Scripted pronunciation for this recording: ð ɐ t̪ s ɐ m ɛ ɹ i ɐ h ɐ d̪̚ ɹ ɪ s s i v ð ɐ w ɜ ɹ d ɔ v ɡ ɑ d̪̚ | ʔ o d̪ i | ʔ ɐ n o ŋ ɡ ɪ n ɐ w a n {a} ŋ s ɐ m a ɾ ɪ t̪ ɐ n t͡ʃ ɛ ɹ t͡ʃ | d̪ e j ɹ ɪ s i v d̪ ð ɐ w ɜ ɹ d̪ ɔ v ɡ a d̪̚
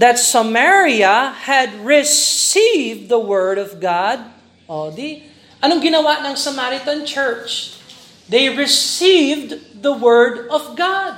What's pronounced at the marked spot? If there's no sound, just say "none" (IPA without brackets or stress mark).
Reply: ɐ